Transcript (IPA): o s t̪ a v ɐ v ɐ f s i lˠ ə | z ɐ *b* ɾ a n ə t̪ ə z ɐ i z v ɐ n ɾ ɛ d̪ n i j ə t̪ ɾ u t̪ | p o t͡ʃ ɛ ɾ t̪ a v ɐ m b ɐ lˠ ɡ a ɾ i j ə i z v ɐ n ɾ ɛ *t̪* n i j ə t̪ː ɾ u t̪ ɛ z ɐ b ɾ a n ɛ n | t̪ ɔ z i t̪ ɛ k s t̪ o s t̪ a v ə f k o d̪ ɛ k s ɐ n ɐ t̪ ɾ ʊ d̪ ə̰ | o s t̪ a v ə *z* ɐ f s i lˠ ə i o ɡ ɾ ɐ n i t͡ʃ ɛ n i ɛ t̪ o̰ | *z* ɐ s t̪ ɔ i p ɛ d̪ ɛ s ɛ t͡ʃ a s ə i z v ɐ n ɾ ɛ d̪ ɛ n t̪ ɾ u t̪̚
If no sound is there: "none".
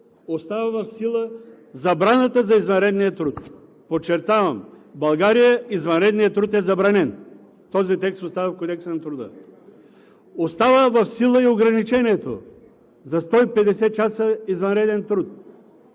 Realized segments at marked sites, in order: b, d̪, v, z

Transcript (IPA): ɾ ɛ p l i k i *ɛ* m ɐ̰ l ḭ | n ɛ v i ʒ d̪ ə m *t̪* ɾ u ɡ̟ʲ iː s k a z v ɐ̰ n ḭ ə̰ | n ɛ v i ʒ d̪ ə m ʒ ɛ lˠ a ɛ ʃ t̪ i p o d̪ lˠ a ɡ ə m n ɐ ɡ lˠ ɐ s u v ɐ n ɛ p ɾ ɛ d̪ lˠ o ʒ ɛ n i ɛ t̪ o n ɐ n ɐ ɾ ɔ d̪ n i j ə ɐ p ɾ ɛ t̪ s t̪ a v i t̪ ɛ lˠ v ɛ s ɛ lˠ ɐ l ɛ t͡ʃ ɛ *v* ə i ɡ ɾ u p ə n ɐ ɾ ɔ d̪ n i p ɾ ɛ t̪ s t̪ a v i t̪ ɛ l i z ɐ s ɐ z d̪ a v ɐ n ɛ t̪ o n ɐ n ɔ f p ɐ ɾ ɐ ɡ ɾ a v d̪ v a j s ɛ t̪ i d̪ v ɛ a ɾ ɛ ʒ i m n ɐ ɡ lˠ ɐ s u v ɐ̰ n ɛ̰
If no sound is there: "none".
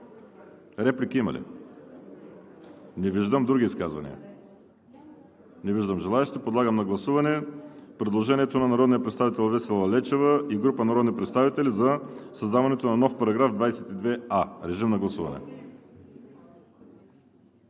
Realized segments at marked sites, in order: i, d̪, v

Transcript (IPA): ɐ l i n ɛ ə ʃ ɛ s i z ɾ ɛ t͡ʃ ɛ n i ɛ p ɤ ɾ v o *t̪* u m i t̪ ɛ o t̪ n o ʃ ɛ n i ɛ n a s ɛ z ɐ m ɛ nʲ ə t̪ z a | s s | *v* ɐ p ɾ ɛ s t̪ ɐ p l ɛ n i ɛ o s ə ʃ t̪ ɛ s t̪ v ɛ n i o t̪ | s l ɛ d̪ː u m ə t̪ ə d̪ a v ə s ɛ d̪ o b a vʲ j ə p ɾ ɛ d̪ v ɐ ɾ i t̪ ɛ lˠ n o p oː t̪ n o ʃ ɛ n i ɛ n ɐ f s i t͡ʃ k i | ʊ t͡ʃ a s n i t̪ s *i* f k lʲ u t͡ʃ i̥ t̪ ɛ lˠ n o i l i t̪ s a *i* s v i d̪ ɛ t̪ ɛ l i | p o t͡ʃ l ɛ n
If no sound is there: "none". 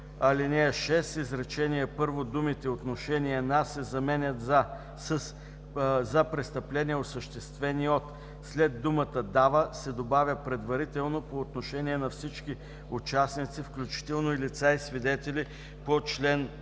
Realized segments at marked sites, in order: d̪, z, i, i

